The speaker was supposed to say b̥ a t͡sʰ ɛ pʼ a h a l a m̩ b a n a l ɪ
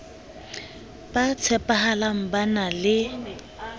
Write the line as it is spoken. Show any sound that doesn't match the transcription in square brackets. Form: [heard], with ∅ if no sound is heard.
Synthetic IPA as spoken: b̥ a t͡sʰ ɛ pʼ a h a l a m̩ b a n a l ɪ